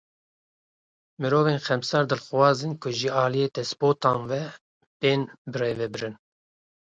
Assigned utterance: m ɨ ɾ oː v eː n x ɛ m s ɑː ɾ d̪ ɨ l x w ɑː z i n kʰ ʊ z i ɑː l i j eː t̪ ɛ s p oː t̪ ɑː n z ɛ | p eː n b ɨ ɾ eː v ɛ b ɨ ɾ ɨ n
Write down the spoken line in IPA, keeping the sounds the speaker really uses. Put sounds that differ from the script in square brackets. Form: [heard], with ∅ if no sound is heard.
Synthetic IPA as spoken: m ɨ ɾ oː v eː n x ɛ m s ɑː ɾ d̪ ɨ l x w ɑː z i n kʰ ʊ [ʒ] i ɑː l i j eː t̪ ɛ s p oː t̪ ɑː n [v] ɛ | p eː n b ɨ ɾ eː v ɛ b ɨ ɾ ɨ n